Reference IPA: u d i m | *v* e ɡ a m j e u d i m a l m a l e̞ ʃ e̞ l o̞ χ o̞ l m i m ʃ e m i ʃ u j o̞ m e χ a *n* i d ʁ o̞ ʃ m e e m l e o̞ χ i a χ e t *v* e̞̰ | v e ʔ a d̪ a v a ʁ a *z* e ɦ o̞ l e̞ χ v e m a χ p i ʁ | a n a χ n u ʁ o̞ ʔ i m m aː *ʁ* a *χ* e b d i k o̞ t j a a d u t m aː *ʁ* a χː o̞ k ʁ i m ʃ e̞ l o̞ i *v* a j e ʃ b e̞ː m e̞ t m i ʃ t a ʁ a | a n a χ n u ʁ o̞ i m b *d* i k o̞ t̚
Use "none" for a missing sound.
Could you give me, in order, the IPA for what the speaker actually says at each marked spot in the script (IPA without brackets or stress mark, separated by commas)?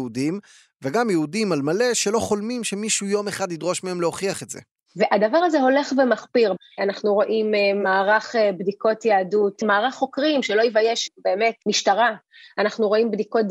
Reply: v, d, z, z, ʁ, χ, ʁ, v, d